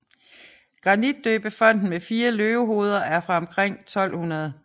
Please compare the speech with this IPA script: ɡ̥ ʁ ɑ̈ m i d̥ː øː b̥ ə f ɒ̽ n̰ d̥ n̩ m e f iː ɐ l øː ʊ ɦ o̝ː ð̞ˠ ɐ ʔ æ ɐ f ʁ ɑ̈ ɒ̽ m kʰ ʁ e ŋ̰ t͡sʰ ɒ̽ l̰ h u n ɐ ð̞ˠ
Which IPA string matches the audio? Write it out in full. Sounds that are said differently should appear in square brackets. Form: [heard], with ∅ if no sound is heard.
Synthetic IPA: ɡ̥ ʁ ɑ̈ [n] i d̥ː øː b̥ ə f ɒ̽ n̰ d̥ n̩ m e f iː ɐ l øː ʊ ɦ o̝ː ð̞ˠ ɐ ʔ æ ɐ f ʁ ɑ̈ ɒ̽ m kʰ ʁ e ŋ̰ t͡sʰ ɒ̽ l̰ h u n ɐ ð̞ˠ